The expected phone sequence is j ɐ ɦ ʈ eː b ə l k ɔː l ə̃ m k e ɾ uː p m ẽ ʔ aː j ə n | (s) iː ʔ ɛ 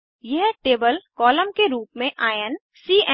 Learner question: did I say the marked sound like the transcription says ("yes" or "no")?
yes